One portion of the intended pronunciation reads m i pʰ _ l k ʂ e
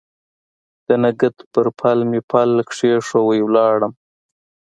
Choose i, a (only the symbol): a